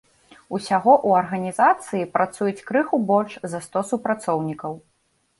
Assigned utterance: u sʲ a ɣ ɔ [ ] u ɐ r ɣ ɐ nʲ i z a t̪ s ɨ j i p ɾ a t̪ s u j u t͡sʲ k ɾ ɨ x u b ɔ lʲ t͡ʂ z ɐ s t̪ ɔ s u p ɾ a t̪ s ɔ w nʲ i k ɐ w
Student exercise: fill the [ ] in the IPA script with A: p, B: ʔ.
B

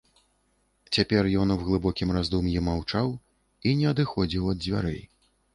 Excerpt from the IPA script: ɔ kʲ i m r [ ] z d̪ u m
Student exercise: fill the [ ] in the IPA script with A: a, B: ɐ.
A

